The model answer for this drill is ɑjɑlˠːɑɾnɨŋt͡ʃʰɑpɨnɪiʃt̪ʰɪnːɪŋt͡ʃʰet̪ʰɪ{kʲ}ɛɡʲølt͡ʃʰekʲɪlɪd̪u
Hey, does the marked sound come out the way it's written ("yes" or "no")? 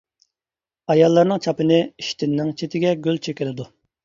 no